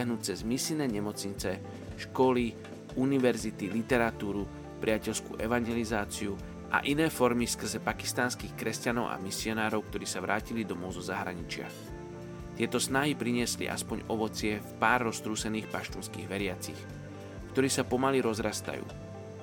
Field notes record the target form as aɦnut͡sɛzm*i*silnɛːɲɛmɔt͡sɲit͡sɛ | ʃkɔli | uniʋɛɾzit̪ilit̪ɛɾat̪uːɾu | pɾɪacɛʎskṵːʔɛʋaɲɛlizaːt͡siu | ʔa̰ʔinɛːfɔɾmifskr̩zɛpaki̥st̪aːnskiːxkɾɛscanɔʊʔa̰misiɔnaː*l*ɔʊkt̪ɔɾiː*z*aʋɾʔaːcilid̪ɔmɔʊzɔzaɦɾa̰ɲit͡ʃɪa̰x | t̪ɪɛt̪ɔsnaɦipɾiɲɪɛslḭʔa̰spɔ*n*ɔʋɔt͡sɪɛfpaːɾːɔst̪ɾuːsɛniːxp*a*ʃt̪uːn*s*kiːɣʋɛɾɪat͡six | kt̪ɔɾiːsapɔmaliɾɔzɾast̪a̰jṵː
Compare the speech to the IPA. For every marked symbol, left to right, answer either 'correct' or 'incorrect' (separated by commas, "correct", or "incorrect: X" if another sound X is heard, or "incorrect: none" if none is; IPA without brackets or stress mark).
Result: correct, incorrect: ɾ, incorrect: s, incorrect: ɲ, correct, correct